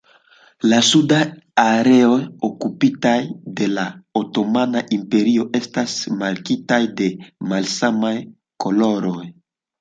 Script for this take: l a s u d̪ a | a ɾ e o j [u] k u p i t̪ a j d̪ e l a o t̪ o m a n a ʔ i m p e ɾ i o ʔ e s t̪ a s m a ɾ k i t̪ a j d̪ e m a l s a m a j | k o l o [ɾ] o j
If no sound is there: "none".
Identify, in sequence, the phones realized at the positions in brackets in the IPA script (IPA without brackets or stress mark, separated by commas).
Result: o, ɾ